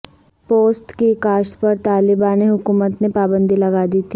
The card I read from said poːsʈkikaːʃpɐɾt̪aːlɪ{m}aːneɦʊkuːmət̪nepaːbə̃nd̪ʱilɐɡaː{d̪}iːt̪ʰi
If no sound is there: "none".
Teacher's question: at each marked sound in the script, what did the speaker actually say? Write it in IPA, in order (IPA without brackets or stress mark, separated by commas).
b, d̪